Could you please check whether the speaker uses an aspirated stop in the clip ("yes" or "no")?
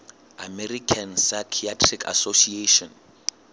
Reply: yes